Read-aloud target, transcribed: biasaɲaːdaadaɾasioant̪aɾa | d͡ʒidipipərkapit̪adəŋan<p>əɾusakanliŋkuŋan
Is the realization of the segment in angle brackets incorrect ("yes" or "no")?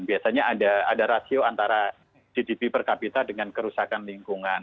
yes